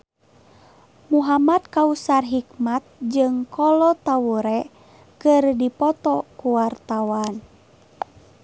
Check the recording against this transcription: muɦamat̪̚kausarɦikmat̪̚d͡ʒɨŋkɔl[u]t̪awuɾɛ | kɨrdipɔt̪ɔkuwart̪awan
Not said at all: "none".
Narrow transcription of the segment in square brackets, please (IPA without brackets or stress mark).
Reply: ɔ